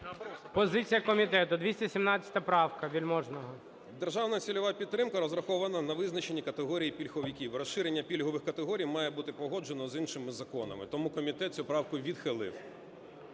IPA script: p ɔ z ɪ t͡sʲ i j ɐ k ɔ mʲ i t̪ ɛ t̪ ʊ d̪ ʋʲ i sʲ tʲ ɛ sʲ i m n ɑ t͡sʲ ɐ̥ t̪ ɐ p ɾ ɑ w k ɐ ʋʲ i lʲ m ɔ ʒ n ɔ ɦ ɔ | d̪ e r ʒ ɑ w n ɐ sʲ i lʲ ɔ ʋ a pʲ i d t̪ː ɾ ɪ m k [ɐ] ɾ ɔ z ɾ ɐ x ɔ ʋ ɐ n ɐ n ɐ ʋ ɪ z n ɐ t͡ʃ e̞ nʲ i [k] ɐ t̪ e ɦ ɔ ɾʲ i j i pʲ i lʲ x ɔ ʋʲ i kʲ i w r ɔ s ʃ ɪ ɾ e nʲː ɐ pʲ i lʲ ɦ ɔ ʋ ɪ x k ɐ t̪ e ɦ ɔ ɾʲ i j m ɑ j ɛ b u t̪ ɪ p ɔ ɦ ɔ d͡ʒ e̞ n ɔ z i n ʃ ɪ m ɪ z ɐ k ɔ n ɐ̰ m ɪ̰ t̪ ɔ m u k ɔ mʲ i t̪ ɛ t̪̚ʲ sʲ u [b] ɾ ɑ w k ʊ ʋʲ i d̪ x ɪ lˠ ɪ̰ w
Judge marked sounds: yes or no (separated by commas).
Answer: yes, yes, no